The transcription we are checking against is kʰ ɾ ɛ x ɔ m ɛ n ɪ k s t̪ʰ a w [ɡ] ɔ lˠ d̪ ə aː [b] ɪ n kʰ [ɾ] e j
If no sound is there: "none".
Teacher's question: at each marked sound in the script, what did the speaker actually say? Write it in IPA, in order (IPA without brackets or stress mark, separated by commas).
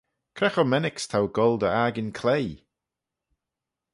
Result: ɡ, ɡ, l